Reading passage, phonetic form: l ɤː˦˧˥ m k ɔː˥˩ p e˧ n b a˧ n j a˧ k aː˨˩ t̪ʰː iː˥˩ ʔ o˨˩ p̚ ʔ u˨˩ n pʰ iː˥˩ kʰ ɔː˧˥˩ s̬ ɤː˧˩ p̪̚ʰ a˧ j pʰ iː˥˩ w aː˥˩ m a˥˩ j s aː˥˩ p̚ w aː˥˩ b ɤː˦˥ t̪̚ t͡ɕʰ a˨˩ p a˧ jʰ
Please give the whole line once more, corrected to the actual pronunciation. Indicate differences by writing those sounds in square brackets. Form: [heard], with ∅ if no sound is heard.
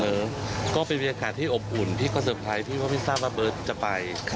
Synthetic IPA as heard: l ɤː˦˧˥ m k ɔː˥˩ p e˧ n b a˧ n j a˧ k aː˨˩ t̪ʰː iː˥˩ ʔ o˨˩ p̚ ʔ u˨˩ n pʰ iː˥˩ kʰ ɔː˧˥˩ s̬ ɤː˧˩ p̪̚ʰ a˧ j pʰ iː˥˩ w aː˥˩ m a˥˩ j s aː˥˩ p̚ w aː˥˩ b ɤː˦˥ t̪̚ [t͡ɕ] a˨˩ p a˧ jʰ